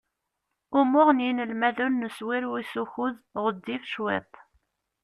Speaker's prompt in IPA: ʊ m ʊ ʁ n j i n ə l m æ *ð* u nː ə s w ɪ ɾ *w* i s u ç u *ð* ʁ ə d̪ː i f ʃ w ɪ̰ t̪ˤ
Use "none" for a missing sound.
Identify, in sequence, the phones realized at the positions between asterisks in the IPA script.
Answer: ð, w, ð

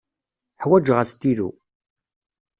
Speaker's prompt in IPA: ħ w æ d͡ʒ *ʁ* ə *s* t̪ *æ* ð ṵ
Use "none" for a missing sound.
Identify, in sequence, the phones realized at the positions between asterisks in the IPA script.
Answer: ʁ, s, i

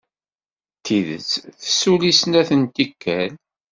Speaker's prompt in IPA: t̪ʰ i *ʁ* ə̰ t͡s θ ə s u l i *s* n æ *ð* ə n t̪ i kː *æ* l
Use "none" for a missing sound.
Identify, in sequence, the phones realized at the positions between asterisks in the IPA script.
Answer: ð, s, θ, æ

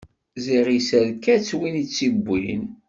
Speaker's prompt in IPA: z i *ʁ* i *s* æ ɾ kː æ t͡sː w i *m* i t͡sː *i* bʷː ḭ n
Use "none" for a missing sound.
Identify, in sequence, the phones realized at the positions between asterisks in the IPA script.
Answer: ʁ, s, n, i

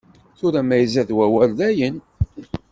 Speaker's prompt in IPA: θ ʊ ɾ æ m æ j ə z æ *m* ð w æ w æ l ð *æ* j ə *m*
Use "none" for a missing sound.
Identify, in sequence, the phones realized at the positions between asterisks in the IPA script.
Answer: none, æ, n

